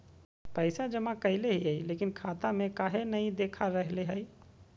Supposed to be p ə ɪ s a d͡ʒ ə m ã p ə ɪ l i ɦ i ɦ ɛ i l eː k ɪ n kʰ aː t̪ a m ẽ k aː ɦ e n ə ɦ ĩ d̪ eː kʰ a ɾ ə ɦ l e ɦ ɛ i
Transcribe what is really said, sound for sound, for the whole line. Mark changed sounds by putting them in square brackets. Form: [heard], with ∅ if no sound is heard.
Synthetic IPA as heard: p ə ɪ s a d͡ʒ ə m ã [k] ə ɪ l [e] ɦ i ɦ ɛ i l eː k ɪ n kʰ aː t̪ a m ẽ k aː ɦ e n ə ɦ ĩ d̪ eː kʰ a ɾ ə ɦ l e ɦ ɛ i